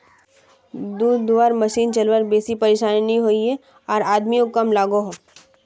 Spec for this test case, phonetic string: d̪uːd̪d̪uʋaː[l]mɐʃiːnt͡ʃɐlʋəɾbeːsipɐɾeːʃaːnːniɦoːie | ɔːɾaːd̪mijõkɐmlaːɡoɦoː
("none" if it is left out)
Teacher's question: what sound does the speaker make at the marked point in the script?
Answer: ɾ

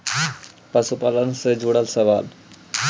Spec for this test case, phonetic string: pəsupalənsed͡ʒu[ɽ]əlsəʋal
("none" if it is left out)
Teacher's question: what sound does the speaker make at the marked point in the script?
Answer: ɽ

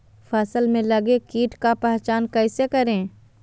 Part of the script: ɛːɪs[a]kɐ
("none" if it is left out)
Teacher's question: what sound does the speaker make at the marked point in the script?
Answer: e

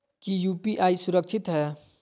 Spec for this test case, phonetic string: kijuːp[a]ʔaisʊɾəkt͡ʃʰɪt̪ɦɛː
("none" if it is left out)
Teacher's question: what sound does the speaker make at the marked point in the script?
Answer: i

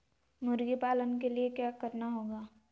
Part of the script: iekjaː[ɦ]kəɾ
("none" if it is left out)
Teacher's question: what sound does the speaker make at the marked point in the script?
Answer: none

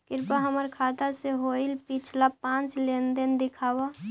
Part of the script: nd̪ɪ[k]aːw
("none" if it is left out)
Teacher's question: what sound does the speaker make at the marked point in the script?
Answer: kʰ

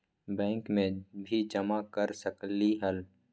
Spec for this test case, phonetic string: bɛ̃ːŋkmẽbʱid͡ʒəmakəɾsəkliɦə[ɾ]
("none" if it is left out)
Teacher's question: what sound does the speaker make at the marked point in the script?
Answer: l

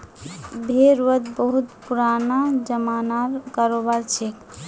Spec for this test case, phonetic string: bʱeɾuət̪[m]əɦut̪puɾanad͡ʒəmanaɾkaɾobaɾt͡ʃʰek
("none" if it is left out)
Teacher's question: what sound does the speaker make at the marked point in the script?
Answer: b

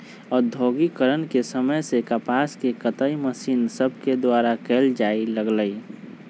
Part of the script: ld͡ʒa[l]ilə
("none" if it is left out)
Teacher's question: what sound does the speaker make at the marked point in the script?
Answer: none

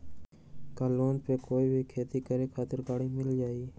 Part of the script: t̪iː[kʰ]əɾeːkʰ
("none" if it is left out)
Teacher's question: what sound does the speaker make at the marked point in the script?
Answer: k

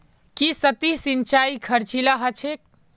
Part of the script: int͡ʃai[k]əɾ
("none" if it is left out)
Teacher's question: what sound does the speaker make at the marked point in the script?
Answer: kʰ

